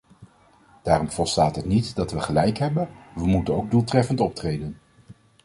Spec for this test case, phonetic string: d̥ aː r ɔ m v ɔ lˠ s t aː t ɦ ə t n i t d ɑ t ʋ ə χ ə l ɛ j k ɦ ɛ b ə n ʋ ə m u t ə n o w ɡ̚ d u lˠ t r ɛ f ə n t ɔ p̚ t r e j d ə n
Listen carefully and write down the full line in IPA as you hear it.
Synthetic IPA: d̥ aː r ɔ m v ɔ lˠ s t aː t ɦ ə t n i t d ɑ t ʋ ə χ ə l ɛ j k ɦ ɛ b ə n ʋ ə m u t ə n o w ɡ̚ d u lˠ t r ɛ f ə n t ɔ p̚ t r e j d ə n